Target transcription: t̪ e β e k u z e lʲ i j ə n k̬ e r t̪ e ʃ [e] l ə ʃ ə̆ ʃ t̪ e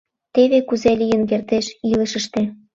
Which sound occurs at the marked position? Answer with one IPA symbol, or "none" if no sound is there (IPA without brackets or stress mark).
i